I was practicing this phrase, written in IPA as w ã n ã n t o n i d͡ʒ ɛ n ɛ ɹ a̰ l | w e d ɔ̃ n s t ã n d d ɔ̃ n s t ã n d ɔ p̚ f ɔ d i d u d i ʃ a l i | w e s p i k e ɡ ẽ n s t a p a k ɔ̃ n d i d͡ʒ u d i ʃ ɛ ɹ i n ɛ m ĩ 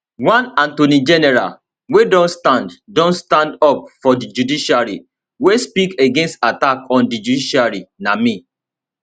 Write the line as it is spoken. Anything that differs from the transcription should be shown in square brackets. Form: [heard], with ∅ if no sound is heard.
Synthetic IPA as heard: w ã n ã n t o n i d͡ʒ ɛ n ɛ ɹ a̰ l | w e d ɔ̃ n s t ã n d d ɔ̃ n s t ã n d ɔ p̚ f ɔ d i [d͡ʒ] u d i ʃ a [ɹ] i | w e s p i k e ɡ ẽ n s t a [t] a k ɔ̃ n d i d͡ʒ u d i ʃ [a] ɹ i n [a] m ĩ